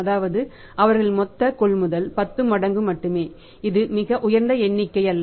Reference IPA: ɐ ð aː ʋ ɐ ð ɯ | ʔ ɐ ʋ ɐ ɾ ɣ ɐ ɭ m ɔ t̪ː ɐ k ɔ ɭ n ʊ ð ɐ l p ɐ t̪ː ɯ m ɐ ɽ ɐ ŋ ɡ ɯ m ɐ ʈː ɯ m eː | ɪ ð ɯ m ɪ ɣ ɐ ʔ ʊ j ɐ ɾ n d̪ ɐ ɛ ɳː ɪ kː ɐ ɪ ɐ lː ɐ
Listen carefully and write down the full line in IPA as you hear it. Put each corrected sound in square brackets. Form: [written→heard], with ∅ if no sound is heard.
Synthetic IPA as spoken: ɐ ð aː ʋ ɐ ð ɯ | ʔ ɐ ʋ ɐ ɾ ɣ ɐ ɭ m ɔ t̪ː ɐ k ɔ ɭ [n→m] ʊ ð ɐ l p ɐ t̪ː ɯ m ɐ ɽ ɐ ŋ ɡ ɯ m ɐ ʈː ɯ m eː | ɪ ð ɯ m ɪ ɣ ɐ ʔ ʊ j ɐ ɾ n d̪ ɐ ɛ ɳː ɪ kː ɐ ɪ ɐ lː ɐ

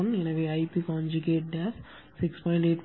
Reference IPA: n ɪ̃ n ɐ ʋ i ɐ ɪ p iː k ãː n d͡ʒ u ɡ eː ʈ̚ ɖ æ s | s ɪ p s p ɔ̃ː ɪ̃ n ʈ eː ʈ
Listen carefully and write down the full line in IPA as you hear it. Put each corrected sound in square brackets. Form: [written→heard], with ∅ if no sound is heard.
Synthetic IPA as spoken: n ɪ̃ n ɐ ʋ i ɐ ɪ p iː k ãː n d͡ʒ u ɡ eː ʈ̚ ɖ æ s | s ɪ [p→k] s p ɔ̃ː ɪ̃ [n→ɳ] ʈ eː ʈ

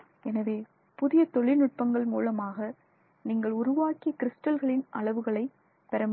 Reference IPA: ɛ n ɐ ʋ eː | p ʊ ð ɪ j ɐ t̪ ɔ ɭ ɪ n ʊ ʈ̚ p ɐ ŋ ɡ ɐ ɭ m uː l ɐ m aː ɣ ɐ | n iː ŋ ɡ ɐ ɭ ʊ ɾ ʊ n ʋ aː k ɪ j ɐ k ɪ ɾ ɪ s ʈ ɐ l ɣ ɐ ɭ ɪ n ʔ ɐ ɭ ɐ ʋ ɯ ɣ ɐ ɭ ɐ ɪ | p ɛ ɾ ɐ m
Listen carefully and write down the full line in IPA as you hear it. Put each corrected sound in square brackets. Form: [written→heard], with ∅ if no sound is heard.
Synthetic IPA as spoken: ɛ n ɐ ʋ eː | p ʊ ð ɪ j ɐ t̪ ɔ ɭ ɪ n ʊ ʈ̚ p ɐ ŋ ɡ ɐ ɭ m uː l ɐ m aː ɣ ɐ | n iː ŋ ɡ ɐ ɭ ʊ ɾ ʊ [n→∅] ʋ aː k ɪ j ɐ k ɪ ɾ ɪ s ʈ ɐ l ɣ ɐ ɭ ɪ n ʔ ɐ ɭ ɐ ʋ ɯ ɣ ɐ ɭ ɐ ɪ | p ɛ ɾ ɐ m

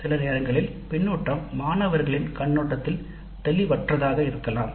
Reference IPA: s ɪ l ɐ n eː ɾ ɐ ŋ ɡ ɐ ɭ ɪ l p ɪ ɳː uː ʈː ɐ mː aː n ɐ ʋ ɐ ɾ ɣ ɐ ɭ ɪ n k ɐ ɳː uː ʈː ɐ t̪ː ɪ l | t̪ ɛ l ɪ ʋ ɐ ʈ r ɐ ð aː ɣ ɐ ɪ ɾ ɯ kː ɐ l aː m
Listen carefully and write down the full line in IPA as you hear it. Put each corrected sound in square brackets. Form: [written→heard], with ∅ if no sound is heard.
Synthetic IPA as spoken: s ɪ l ɐ n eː ɾ ɐ ŋ ɡ ɐ ɭ ɪ l p ɪ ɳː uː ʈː ɐ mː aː n ɐ ʋ ɐ ɾ ɣ ɐ ɭ ɪ n k ɐ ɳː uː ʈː ɐ t̪ː ɪ l | t̪ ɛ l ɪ ʋ ɐ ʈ r ɐ ð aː ɣ ɐ ɪ ɾ ɯ kː ɐ l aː m

